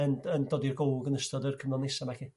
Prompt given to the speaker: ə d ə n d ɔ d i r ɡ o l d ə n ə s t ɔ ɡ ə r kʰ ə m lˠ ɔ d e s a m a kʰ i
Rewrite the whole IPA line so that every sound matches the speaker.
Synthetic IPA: ə n ə n d ɔ d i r ɡ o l ɡ ə n ə s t ɔ d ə r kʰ ə m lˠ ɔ n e s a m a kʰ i